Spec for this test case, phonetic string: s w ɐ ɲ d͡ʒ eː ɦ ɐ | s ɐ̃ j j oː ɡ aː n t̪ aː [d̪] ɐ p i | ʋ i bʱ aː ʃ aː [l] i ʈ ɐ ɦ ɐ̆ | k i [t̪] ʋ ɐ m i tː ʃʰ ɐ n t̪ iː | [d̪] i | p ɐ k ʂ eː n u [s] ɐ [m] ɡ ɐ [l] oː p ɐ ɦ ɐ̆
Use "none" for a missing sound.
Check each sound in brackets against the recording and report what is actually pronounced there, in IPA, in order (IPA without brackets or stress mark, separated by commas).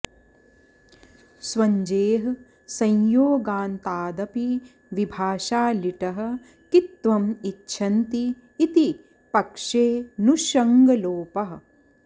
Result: d̪, l, t̪, t̪, ʃ, ŋ, l